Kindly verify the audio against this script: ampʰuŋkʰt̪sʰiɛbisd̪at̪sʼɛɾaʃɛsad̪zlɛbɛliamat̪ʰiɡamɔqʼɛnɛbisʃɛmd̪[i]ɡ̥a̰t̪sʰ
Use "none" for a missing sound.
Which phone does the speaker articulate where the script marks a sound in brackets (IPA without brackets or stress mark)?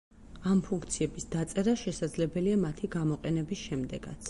ɛ